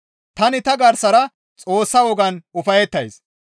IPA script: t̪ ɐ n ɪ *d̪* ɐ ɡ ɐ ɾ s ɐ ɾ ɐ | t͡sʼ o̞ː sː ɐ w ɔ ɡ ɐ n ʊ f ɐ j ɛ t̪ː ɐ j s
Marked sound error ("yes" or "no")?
yes